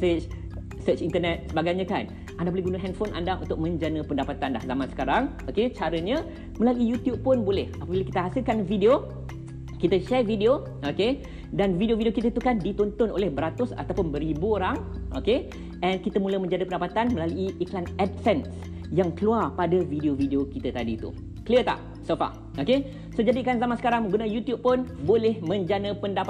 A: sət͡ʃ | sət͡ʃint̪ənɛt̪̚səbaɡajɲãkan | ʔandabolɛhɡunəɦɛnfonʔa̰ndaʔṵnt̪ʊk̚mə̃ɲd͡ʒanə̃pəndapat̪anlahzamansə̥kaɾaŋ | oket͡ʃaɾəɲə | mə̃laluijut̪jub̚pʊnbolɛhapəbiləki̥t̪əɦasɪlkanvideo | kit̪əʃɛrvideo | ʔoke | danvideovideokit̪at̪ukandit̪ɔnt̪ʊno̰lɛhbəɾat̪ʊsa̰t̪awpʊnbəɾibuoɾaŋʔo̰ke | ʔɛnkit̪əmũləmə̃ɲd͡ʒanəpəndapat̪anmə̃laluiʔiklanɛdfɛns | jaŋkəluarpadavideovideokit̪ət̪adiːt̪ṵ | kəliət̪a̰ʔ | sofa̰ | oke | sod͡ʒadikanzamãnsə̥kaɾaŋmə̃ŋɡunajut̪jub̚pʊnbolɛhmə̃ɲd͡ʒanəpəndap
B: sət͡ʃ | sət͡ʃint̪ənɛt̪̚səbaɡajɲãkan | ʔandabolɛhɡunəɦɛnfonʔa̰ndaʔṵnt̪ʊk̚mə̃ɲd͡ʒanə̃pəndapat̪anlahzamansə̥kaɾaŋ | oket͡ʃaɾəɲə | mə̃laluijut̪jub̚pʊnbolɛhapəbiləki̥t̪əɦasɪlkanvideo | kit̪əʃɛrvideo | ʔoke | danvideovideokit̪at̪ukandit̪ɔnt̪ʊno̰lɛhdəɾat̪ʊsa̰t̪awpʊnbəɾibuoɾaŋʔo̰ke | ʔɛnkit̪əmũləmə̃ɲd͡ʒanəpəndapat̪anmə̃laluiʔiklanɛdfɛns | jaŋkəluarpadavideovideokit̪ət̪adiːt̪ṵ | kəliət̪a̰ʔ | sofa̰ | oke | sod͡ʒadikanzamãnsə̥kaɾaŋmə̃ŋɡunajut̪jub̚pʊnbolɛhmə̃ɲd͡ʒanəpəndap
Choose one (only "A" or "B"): A